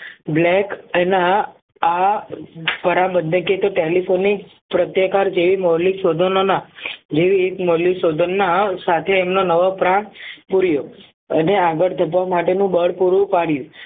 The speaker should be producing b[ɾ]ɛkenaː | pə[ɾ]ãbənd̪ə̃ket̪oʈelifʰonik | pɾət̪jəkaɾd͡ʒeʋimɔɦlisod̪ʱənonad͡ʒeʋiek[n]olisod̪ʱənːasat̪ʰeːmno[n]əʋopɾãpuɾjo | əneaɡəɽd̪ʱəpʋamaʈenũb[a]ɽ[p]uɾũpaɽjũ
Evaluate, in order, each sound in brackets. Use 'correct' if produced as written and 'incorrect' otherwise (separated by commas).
incorrect, correct, incorrect, correct, incorrect, correct